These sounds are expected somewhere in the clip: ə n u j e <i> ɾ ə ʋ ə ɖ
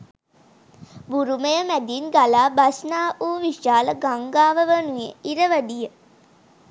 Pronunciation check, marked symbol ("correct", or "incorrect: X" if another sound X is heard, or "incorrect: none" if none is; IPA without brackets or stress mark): correct